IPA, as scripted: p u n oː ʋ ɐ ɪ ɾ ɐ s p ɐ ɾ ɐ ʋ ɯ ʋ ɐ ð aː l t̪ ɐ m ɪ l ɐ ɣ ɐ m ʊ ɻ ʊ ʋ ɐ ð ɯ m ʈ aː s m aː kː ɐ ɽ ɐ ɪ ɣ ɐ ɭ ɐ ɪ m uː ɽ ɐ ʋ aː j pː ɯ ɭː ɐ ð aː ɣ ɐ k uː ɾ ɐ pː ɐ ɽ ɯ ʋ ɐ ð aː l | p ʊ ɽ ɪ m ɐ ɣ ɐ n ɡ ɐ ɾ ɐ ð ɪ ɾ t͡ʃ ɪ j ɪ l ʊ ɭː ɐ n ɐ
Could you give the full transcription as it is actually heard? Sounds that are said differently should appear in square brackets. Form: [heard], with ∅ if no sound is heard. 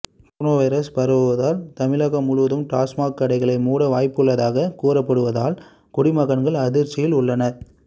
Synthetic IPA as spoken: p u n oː ʋ ɐ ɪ ɾ ɐ s p ɐ ɾ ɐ ʋ ɯ ʋ ɐ ð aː l t̪ ɐ m ɪ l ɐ ɣ ɐ m ʊ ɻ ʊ ʋ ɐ ð ɯ m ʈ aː s m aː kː ɐ ɽ ɐ ɪ ɣ ɐ ɭ ɐ ɪ m uː ɽ ɐ ʋ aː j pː ɯ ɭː ɐ ð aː ɣ ɐ k uː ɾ ɐ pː ɐ ɽ ɯ ʋ ɐ ð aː l | [k] ʊ ɽ ɪ m ɐ ɣ ɐ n ɡ ɐ [ɭ] ɐ ð ɪ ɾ t͡ʃ ɪ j ɪ l ʊ ɭː ɐ n ɐ